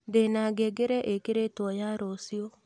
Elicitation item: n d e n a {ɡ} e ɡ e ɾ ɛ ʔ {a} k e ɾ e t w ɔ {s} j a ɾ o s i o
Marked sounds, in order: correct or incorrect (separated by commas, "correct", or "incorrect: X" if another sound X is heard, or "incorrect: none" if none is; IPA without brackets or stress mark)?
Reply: correct, incorrect: e, incorrect: none